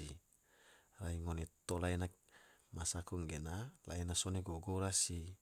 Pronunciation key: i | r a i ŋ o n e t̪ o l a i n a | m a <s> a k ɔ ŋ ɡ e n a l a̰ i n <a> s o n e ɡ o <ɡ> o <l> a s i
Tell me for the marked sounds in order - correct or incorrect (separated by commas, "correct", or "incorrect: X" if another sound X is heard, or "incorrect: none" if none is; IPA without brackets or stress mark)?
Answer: correct, correct, correct, incorrect: ɾ